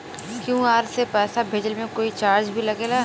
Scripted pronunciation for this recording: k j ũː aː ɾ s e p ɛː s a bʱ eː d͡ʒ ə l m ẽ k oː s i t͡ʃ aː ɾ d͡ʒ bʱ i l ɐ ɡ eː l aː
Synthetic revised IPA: k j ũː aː ɾ s e p ɛː s a bʱ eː d͡ʒ ə l m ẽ k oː i t͡ʃ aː ɾ d͡ʒ bʱ i l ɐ ɡ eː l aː